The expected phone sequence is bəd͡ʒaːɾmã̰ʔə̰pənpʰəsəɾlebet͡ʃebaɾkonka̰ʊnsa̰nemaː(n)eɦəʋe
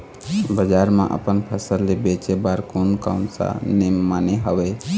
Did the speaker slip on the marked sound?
no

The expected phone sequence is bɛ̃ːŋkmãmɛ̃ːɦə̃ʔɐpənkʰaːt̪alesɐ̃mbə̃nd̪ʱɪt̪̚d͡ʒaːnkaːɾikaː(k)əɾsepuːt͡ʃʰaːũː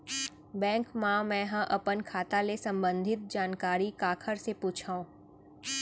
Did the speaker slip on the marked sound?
yes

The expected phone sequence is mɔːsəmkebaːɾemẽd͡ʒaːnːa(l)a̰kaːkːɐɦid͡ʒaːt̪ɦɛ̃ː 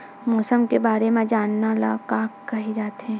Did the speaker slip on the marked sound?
no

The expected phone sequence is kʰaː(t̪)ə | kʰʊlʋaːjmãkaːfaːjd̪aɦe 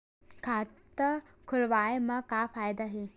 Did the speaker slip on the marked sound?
no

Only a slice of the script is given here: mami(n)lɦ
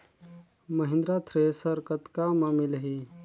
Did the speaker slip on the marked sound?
yes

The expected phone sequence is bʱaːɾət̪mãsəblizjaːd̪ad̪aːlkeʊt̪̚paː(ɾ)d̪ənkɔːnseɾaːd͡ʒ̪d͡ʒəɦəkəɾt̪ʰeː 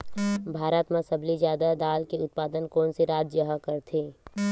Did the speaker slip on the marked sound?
yes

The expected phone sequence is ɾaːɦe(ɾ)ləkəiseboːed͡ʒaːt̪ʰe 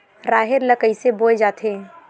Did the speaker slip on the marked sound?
no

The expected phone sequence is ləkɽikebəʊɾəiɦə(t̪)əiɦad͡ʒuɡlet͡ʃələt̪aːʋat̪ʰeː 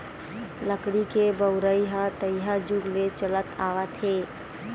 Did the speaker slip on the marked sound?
no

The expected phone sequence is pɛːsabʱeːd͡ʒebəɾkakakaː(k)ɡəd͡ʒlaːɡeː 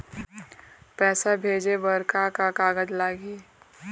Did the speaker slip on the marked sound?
yes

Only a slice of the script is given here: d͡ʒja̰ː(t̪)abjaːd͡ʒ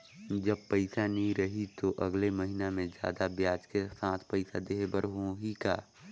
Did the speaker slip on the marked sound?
yes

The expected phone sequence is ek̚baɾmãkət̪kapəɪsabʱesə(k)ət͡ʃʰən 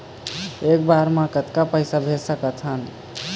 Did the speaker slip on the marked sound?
no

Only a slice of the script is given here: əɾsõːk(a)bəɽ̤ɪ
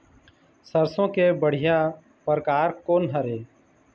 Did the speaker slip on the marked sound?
yes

